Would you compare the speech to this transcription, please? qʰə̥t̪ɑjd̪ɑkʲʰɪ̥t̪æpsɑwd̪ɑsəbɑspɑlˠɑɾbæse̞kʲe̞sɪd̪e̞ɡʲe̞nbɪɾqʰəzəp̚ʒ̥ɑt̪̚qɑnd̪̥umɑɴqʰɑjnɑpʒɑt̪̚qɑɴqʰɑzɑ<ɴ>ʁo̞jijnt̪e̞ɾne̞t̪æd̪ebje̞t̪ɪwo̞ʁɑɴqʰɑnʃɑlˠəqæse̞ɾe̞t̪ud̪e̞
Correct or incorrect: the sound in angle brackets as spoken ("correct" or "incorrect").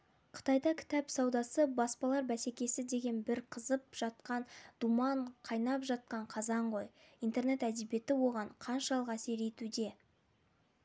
correct